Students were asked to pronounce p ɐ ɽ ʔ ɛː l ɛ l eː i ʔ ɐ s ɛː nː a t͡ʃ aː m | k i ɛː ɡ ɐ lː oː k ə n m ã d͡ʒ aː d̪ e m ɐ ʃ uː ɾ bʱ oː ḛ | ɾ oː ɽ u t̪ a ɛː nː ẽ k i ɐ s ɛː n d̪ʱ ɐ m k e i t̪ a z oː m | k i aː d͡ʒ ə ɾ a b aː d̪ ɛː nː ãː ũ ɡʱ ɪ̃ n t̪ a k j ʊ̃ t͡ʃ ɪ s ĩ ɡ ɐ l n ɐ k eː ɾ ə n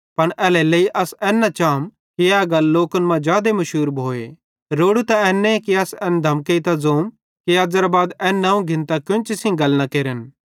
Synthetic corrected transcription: p ɐ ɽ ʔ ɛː l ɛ l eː i ʔ ɐ s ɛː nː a t͡ʃ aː m | k i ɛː ɡ ɐ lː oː k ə n m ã d͡ʒ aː d̪ e m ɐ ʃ uː ɾ bʱ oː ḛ | ɾ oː ɽ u t̪ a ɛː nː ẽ k i ɐ s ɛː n d̪ʱ ɐ m k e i t̪ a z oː m | k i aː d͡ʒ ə ɾ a b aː d̪ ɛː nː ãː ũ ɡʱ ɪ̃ n t̪ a k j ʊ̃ t͡ʃ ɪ s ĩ ɡ ɐ l n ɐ k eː ɾ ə n